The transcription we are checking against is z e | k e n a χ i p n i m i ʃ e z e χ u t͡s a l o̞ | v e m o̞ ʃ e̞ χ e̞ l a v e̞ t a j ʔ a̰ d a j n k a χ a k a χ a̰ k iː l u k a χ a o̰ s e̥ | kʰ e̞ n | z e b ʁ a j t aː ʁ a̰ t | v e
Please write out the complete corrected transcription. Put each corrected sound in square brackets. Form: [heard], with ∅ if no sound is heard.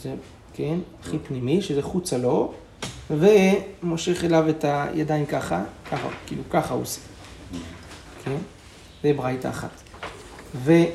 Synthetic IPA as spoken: z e | k e n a χ i p n i m i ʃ e z e χ u t͡s a l o̞ | v e m o̞ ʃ e̞ χ e̞ l a v e̞ t a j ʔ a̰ d a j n k a χ a k a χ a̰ k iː l u k a χ a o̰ s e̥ | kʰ e̞ n | z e b ʁ a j t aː [χ] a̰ t | v e